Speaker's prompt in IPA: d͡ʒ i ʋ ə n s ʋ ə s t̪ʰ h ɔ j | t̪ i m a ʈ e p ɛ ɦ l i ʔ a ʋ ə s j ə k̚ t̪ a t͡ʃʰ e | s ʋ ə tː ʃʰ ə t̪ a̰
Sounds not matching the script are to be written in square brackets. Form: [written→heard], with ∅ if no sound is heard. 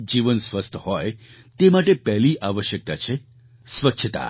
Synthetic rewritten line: d͡ʒ i ʋ ə n s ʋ ə s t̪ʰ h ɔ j | t̪ [i→e] m a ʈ e p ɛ ɦ l i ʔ a ʋ ə [s→ʃ] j ə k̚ t̪ a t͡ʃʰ e | s ʋ ə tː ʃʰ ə t̪ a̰